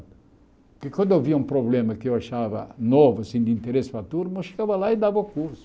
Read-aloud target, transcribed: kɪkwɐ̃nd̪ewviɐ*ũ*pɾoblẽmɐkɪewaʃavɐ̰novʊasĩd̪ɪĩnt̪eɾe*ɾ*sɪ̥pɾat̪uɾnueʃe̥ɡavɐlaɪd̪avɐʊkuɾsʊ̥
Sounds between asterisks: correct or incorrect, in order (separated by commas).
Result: correct, incorrect